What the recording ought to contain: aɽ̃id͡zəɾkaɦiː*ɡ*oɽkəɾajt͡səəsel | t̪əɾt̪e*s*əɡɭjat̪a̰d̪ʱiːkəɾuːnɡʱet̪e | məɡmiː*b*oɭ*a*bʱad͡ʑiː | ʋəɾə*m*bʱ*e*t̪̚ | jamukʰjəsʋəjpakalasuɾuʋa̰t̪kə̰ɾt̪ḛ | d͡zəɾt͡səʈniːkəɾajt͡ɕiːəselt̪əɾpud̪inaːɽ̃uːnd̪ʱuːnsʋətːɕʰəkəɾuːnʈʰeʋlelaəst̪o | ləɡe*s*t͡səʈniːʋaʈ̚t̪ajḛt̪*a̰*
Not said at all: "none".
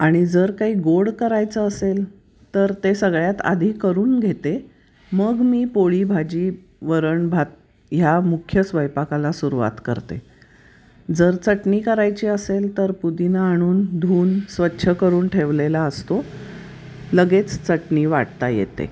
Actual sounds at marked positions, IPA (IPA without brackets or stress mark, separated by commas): ɡ, s, p, i, ɳ, a, t͡s, ḛ